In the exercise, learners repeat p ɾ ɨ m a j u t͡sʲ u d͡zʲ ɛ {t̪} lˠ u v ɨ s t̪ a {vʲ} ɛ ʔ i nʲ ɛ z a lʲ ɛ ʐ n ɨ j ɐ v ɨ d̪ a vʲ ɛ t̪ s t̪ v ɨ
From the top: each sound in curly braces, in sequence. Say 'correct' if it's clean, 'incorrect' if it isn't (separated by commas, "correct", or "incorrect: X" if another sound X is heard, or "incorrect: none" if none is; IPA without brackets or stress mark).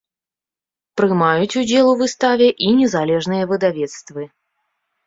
incorrect: none, correct